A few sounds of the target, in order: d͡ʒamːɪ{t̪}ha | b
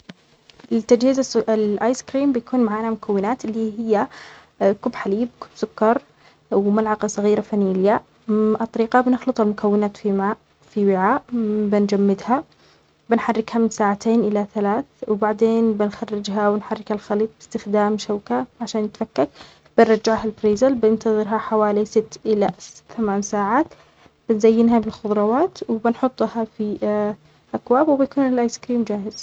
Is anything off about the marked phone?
yes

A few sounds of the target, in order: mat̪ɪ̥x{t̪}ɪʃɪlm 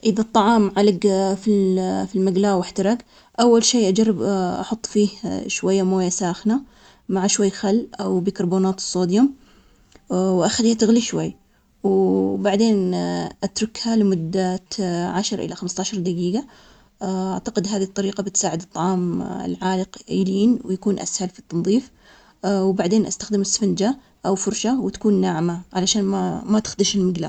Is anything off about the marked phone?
yes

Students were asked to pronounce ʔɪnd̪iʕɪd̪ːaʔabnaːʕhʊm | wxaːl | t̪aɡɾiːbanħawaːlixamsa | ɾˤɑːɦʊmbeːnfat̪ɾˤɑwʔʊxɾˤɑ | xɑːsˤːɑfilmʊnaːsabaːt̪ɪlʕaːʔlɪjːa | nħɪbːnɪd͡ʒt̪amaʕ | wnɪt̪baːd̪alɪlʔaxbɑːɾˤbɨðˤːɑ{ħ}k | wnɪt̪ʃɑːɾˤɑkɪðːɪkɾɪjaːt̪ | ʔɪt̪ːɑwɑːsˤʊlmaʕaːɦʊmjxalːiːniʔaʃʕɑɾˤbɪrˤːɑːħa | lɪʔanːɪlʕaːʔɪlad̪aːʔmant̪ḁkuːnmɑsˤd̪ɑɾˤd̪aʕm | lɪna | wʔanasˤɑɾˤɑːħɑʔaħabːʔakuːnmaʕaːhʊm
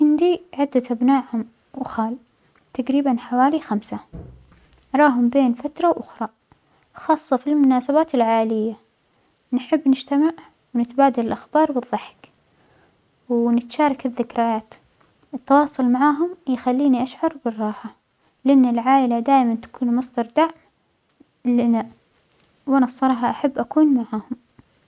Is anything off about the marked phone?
no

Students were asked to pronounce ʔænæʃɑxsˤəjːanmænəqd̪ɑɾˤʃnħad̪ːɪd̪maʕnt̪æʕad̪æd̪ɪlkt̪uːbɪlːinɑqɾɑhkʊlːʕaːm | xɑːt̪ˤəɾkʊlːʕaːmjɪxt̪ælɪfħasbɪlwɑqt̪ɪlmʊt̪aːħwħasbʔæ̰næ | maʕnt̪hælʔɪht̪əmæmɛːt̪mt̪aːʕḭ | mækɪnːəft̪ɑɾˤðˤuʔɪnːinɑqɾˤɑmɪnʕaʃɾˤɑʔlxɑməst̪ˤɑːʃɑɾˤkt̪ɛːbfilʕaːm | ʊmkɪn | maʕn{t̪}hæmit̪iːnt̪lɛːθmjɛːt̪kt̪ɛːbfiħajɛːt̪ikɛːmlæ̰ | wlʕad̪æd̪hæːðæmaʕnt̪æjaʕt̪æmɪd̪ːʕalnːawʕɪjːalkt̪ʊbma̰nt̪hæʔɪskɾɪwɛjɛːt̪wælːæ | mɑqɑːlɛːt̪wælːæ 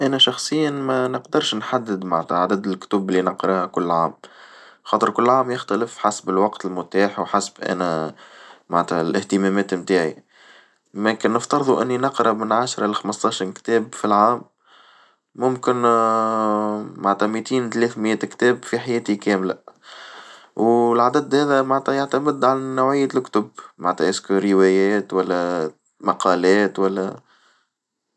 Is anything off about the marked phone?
no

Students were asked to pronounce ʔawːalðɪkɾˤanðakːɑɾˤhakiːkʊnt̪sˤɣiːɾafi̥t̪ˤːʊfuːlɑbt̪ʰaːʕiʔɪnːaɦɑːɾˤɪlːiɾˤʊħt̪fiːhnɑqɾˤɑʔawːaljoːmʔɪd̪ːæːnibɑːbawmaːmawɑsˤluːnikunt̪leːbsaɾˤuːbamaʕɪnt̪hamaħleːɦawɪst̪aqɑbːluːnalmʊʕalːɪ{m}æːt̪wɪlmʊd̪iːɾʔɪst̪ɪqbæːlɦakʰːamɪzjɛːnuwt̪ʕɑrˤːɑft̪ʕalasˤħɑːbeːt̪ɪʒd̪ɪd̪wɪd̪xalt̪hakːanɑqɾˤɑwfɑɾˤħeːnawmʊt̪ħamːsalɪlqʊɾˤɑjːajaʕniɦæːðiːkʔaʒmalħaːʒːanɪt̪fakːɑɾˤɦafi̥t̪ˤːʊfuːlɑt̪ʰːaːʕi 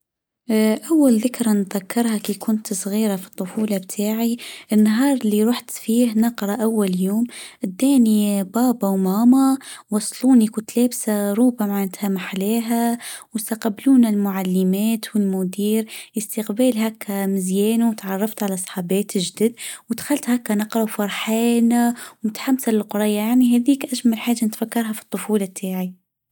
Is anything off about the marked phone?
no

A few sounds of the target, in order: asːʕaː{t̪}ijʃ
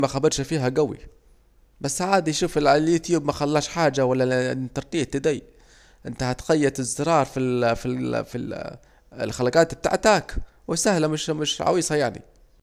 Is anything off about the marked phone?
yes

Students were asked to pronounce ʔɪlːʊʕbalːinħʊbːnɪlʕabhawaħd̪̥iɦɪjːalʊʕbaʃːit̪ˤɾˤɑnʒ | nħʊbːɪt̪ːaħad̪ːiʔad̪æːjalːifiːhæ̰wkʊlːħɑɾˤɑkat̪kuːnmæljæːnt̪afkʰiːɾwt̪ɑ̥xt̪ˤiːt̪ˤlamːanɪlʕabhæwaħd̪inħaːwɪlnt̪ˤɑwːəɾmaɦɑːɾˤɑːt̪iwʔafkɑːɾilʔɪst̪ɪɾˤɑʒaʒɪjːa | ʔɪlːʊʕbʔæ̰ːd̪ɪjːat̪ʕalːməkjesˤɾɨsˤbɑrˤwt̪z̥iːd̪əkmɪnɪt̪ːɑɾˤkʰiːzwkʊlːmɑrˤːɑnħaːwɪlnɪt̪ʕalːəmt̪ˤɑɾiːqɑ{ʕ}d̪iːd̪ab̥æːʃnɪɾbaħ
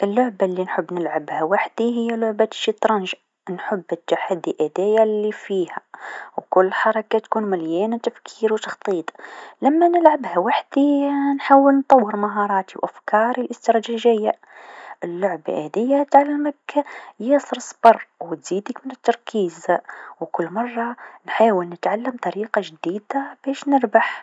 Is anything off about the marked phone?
yes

